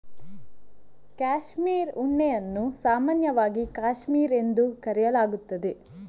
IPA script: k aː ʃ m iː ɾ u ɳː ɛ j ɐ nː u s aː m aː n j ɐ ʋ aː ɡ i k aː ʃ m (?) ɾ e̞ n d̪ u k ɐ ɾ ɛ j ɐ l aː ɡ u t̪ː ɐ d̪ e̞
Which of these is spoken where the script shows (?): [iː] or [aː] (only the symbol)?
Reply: iː